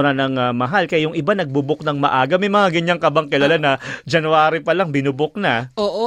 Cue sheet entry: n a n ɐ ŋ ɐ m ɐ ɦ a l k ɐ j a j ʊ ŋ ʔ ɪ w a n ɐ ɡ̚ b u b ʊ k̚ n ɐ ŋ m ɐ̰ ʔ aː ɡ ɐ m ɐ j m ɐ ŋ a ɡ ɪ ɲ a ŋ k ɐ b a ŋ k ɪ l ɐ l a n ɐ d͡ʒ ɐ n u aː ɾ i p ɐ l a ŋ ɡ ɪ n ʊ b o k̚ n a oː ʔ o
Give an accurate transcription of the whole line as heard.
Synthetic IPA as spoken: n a n ɐ ŋ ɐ m ɐ ɦ a l k ɐ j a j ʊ ŋ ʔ ɪ b a n ɐ ɡ̚ b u b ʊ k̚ n ɐ ŋ m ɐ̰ ʔ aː ɡ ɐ m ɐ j m ɐ ŋ a ɡ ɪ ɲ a ŋ k ɐ b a ŋ k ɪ l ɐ l a n ɐ d͡ʒ ɐ n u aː ɾ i p ɐ l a ŋ b ɪ n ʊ b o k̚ n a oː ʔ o